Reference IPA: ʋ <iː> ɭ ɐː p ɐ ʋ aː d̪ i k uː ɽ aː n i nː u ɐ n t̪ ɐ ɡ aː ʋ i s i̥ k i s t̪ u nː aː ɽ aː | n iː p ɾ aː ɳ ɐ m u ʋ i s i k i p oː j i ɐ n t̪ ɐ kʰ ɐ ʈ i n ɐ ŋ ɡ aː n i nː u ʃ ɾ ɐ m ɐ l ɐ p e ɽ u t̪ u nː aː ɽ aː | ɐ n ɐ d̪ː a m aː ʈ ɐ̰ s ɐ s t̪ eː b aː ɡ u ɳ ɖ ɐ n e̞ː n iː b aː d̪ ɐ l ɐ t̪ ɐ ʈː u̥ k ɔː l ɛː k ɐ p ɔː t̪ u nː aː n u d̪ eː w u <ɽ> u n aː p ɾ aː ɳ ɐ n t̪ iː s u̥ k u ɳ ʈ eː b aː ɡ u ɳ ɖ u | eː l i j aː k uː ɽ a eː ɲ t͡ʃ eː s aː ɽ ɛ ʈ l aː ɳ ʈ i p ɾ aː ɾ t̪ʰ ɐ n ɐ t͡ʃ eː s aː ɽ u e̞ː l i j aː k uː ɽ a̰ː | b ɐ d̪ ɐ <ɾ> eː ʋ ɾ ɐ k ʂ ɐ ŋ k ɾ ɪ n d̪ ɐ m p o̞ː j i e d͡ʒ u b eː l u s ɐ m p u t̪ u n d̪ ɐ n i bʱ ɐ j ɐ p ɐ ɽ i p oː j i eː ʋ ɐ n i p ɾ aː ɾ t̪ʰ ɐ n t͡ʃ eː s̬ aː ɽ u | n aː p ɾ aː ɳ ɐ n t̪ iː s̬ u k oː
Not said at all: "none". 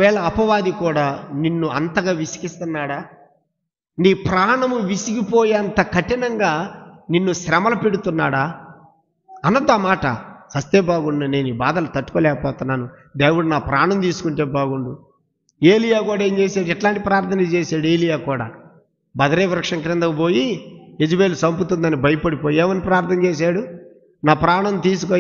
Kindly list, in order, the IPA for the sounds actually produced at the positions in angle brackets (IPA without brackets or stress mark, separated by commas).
ɛː, ɽ, ɾ